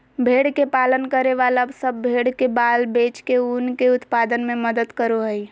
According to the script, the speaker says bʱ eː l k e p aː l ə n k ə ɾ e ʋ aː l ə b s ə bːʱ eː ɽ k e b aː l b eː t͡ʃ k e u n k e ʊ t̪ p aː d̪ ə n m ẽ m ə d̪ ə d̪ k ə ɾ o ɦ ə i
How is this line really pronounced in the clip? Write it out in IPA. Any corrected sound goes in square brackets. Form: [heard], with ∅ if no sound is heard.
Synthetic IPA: bʱ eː [ɽ] k e p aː l ə n k ə ɾ e ʋ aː l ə b s ə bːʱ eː ɽ k e b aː l b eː t͡ʃ k e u n k e ʊ t̪ p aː d̪ ə n m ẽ m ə d̪ ə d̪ k ə ɾ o ɦ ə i